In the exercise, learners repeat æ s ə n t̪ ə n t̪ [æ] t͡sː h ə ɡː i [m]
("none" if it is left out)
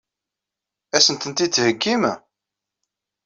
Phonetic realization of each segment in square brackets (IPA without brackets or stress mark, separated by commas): i, m